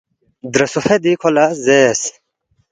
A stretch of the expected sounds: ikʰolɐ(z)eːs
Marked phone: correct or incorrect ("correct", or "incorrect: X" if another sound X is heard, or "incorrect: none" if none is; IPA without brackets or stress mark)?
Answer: correct